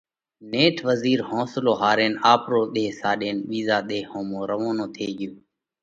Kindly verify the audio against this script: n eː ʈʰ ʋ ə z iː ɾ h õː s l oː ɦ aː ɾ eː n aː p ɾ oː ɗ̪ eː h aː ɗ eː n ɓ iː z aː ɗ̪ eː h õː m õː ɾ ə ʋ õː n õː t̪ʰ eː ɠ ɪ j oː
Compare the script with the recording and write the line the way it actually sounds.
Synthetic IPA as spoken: n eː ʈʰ ʋ ə z iː ɾ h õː s l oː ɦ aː ɾ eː n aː p ɾ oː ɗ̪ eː s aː ɗ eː n ɓ iː z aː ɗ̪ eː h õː m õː ɾ ə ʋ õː n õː t̪ʰ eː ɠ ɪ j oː